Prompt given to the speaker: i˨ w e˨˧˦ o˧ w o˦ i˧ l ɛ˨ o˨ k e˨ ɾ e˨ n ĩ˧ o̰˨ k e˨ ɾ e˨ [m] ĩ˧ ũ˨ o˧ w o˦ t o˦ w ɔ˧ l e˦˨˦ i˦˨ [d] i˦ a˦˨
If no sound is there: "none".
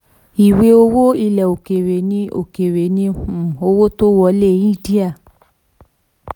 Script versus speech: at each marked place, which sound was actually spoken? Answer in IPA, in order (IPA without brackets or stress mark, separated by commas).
n, d